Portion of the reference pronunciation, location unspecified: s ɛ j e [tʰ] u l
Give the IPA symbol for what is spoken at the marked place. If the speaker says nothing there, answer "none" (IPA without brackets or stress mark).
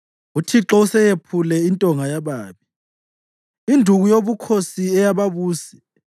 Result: pʰ